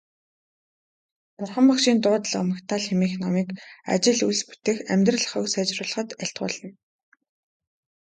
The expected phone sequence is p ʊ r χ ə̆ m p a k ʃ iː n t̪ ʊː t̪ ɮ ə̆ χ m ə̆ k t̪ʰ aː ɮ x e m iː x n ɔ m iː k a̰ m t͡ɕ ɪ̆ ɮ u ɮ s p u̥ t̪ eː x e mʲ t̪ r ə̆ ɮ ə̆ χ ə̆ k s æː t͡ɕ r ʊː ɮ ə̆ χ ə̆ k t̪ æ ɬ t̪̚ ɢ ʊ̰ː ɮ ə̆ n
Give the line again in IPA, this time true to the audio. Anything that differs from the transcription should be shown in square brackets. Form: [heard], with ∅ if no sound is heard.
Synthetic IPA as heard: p ʊ r χ ə̆ m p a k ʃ iː n t̪ ʊː t̪ ɮ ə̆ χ m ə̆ k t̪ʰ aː ɮ x e m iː x n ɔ m iː k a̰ [∅] t͡ɕ ɪ̆ ɮ u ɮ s p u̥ t̪ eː x [æ] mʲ t̪ r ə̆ ɮ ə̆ χ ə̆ k s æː t͡ɕ r ʊː ɮ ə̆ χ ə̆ [∅] t̪ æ ɬ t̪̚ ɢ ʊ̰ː ɮ ə̆ n